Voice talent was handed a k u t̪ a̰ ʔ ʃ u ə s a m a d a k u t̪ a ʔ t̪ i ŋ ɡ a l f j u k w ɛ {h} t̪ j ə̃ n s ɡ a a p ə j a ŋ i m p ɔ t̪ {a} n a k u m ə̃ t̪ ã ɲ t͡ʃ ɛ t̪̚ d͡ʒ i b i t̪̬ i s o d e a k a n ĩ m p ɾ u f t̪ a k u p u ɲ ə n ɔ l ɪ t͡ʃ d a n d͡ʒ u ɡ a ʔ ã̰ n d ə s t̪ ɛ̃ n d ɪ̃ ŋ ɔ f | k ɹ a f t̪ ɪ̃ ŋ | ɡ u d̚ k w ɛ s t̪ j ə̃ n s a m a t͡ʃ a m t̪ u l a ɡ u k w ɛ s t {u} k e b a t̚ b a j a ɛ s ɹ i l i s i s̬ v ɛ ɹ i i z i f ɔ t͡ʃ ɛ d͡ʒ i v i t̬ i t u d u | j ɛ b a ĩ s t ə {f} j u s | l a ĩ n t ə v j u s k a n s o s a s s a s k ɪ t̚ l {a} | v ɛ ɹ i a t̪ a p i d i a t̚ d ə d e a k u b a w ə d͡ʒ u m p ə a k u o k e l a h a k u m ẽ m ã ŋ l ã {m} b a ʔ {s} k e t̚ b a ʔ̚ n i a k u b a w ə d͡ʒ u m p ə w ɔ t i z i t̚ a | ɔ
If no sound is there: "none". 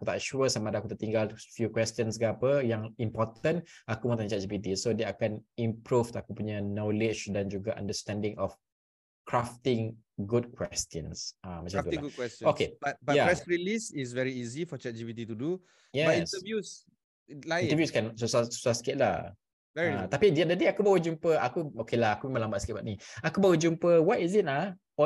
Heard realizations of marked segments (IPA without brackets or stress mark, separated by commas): s, ə, o, v, a, m, s